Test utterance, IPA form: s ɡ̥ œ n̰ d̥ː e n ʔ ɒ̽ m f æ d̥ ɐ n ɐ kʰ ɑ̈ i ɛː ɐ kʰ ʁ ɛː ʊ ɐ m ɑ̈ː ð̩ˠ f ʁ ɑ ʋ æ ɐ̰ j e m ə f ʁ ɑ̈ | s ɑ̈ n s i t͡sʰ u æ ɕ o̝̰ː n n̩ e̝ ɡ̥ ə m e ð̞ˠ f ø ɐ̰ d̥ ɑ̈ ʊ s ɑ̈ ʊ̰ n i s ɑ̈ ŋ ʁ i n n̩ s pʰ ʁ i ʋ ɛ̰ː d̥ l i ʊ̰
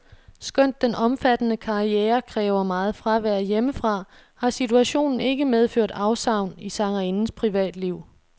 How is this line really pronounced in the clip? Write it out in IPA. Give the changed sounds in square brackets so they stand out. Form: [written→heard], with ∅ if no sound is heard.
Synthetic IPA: s ɡ̥ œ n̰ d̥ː e n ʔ ɒ̽ m f æ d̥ [ɐ→ə] n [ɐ→ə] kʰ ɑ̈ i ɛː ɐ kʰ ʁ ɛː ʊ ɐ m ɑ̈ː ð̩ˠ f ʁ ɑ ʋ æ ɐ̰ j e m ə f ʁ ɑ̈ | [s→h] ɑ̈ [n→∅] s i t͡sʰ u æ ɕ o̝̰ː n n̩ e̝ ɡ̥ ə m e ð̞ˠ f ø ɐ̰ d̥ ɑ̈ ʊ s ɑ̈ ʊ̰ n i s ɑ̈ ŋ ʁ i n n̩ s pʰ ʁ i ʋ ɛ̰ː d̥ l i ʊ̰